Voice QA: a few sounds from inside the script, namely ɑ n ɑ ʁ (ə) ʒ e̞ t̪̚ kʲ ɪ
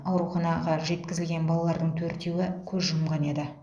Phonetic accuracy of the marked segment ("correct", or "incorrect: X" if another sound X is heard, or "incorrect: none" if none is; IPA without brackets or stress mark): incorrect: ɑ